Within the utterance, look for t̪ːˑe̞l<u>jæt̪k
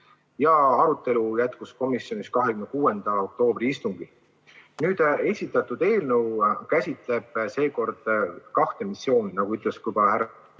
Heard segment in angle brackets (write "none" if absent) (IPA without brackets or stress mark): u